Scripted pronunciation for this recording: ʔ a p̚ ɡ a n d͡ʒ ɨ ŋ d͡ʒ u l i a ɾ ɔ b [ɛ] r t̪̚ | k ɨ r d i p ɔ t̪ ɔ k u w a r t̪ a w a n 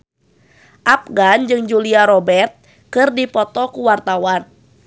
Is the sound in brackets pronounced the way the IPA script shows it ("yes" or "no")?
yes